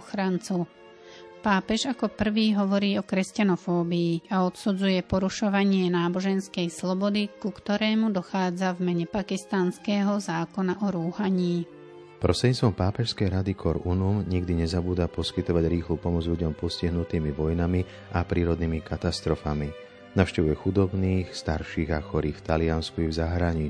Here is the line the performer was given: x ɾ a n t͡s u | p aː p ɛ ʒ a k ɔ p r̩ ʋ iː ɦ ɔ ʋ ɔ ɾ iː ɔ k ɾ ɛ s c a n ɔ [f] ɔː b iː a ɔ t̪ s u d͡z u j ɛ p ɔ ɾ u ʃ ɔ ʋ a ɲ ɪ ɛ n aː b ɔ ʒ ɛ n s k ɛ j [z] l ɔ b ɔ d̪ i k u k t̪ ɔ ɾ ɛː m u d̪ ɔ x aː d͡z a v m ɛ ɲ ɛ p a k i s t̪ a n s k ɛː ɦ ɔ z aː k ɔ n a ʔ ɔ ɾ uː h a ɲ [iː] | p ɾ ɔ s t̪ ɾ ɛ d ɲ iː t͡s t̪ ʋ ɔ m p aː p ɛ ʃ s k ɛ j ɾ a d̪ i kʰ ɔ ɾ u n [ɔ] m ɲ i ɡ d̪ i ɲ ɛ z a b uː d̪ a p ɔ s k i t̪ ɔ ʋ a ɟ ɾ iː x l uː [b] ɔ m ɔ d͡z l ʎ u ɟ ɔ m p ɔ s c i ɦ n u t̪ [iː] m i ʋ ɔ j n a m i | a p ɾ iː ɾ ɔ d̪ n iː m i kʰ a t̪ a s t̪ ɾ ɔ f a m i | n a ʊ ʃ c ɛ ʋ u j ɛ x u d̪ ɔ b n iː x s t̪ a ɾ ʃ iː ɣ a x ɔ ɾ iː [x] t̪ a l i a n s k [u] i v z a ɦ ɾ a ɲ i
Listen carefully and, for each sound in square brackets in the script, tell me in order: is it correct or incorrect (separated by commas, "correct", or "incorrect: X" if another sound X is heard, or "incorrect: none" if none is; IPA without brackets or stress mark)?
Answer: correct, incorrect: s, correct, incorrect: u, incorrect: p, correct, incorrect: f, correct